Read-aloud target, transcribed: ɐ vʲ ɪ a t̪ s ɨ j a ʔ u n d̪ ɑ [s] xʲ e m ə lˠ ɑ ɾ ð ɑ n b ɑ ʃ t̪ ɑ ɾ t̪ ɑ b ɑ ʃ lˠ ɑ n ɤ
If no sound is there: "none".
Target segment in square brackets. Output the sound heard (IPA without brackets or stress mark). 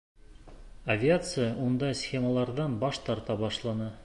s